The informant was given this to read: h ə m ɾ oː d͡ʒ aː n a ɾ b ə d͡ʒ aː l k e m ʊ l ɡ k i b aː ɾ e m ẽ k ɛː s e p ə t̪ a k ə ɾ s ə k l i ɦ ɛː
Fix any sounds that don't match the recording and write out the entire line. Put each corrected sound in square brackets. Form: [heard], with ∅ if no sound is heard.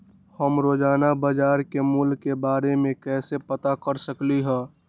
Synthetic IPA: h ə m ɾ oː d͡ʒ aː n a [∅] b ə d͡ʒ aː [ɾ] k e m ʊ l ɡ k [e] b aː ɾ e m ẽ k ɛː s e p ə t̪ a k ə ɾ s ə k l i ɦ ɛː